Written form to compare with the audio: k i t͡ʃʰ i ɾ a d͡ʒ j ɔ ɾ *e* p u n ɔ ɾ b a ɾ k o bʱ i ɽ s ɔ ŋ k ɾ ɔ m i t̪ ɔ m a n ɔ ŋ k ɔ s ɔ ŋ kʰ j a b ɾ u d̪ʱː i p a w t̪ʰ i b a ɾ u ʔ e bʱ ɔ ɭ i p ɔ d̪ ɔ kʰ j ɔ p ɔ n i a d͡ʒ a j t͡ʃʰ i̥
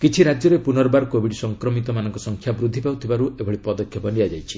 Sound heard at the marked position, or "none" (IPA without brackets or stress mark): e